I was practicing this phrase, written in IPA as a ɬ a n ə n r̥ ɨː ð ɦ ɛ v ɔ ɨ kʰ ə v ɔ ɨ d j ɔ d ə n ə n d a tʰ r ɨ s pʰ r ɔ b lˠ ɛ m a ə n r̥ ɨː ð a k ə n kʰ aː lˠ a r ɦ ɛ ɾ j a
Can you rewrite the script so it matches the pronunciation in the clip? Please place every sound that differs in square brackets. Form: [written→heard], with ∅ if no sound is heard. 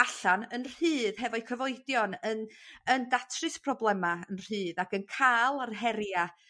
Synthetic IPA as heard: a ɬ a n ə n r̥ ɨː ð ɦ ɛ v ɔ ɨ kʰ ə v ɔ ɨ d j ɔ [d→n] ə n ə n d a tʰ r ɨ s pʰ r ɔ b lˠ ɛ m a ə n r̥ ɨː ð a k ə n kʰ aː lˠ a r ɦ ɛ ɾ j a